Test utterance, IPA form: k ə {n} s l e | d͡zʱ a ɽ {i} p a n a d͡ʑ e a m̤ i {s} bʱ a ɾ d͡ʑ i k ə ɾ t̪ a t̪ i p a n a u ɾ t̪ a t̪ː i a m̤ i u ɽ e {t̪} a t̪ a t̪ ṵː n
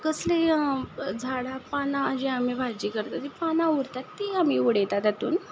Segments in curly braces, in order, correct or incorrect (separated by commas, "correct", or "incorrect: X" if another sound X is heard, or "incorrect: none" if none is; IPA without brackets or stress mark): incorrect: none, incorrect: a, incorrect: none, correct